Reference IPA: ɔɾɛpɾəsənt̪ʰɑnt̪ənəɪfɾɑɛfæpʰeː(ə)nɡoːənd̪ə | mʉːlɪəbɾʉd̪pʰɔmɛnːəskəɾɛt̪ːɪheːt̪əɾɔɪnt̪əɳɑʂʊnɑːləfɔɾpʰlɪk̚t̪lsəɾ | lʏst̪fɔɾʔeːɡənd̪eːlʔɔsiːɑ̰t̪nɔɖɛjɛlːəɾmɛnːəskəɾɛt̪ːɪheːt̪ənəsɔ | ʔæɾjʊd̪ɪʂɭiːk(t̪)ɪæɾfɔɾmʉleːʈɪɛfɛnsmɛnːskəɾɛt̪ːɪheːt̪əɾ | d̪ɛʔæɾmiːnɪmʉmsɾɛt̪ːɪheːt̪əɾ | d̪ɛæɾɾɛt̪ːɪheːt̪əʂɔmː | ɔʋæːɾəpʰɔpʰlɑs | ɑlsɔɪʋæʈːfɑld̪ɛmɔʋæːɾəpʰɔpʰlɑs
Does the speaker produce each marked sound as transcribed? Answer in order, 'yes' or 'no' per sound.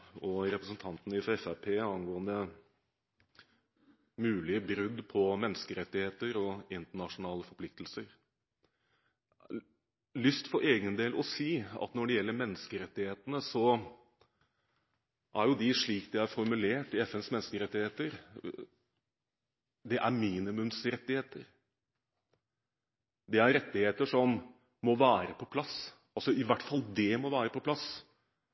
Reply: no, no

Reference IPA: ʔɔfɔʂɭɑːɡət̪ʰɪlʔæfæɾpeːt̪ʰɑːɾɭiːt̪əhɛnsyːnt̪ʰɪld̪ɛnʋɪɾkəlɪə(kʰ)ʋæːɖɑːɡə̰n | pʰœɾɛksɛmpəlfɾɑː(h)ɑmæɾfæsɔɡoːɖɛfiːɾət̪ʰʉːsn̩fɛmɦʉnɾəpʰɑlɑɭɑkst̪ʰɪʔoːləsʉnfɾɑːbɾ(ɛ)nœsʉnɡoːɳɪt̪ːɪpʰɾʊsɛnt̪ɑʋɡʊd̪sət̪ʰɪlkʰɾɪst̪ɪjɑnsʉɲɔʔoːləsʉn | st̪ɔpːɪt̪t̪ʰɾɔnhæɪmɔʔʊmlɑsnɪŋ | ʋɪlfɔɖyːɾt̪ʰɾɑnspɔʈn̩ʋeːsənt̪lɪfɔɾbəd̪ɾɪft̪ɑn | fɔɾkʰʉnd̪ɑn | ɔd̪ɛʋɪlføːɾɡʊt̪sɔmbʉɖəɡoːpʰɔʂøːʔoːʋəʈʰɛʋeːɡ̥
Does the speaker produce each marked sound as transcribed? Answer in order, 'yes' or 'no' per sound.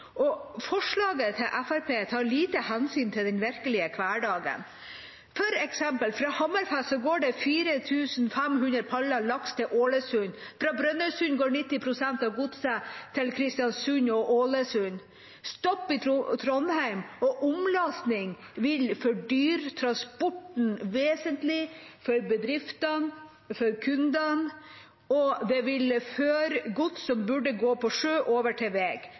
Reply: yes, yes, no

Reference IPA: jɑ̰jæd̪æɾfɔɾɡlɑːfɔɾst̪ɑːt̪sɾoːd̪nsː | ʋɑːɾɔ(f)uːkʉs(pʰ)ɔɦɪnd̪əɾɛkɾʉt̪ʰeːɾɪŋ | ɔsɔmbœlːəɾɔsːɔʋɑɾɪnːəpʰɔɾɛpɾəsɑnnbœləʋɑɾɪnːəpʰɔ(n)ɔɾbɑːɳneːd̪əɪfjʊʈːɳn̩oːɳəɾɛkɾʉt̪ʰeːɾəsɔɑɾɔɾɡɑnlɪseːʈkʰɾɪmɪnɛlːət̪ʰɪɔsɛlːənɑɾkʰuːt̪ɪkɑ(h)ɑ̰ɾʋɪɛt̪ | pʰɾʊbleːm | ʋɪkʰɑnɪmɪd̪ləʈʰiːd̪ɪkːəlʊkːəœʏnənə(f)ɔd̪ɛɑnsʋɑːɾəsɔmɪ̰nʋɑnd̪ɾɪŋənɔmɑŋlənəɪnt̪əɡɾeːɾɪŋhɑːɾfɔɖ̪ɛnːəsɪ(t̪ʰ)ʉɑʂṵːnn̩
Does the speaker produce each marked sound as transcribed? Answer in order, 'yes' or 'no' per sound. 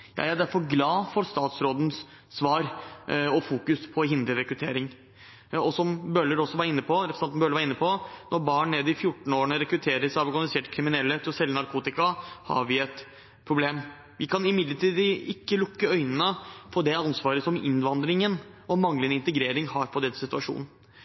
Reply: yes, yes, yes, yes, yes, no

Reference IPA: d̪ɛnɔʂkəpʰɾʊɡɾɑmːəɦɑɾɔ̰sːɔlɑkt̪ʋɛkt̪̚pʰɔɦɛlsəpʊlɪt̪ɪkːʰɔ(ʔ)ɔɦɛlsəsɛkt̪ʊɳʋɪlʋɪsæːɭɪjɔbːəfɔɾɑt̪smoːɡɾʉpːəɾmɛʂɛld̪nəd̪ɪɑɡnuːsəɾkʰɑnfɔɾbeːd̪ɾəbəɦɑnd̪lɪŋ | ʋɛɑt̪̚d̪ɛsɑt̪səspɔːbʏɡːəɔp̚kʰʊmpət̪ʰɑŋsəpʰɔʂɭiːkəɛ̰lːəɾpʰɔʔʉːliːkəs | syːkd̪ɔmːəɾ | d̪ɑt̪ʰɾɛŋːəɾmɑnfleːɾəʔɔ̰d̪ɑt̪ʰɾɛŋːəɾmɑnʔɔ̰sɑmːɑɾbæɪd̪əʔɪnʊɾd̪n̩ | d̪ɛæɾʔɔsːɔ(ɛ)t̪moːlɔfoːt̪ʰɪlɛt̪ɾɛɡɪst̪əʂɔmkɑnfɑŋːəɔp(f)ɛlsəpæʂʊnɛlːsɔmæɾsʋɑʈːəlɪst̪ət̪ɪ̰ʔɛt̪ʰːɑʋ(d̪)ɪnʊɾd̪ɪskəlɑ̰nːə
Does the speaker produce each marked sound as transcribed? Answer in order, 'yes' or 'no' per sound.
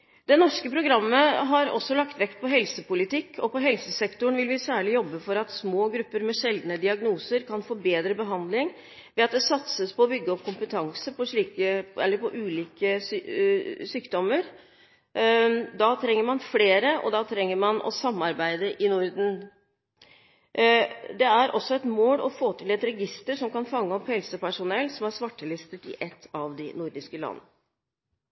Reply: no, yes, no, yes

